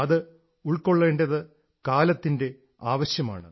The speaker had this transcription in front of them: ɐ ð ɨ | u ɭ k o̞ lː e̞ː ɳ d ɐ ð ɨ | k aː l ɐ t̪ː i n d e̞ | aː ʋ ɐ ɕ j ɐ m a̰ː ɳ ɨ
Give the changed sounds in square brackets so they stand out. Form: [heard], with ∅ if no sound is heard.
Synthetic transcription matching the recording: ɐ ð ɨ | u ɭ k o̞ [ɭː] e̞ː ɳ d ɐ ð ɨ | k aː l ɐ t̪ː i n d e̞ | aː ʋ ɐ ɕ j ɐ m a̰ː ɳ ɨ